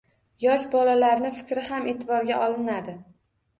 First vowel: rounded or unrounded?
rounded